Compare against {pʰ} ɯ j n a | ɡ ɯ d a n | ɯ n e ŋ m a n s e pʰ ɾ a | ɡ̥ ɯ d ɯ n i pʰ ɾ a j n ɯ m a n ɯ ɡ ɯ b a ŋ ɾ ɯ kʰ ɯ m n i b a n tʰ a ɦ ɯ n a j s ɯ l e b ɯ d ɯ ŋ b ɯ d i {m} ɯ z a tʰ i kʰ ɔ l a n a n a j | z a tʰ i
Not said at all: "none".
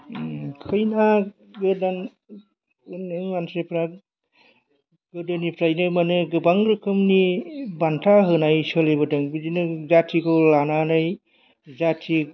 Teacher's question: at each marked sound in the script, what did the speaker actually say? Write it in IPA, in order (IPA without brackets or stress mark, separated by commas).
kʰ, n